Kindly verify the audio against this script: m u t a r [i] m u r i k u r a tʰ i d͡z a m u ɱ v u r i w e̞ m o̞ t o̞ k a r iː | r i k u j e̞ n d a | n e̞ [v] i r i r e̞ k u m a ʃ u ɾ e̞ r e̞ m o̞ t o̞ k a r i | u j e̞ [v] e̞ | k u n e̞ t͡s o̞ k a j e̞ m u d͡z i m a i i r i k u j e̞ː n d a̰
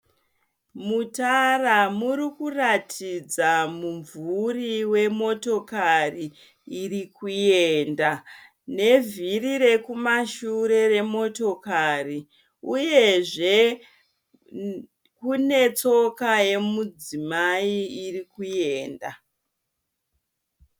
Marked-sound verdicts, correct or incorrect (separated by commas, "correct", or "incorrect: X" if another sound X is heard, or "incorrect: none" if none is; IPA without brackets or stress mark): incorrect: a, correct, incorrect: ʐ